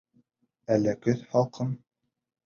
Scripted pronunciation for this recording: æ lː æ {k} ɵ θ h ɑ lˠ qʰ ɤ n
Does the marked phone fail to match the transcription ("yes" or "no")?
no